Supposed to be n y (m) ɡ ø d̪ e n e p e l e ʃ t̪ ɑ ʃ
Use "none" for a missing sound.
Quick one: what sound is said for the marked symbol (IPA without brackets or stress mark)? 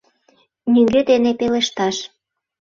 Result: ŋ